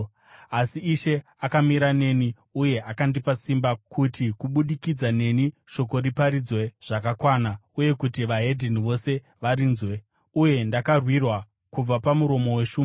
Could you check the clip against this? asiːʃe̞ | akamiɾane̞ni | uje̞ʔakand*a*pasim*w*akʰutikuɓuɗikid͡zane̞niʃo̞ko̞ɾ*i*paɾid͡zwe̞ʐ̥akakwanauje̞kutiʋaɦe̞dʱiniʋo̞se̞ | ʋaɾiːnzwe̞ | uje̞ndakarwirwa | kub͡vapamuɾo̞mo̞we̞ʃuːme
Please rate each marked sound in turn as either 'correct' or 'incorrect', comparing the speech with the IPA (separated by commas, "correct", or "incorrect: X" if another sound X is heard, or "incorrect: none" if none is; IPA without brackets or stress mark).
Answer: incorrect: i, incorrect: b, correct